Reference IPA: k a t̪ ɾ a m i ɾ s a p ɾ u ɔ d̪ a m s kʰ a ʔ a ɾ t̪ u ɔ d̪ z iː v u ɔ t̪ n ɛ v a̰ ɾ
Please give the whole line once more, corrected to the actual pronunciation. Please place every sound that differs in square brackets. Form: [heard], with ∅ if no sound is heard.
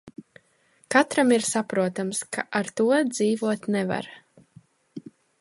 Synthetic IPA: k a t̪ ɾ a m i ɾ s a p ɾ u ɔ [t̪] a m s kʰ a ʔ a ɾ t̪ u ɔ d̪ z iː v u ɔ t̪ n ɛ v a̰ ɾ